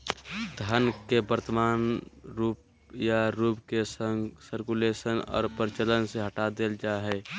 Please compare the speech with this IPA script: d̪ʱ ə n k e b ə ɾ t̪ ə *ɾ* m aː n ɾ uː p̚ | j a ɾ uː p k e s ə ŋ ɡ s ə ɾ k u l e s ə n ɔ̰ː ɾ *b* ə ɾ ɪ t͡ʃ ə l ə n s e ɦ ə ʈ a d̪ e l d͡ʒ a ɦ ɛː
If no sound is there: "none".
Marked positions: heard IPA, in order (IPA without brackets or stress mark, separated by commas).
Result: none, p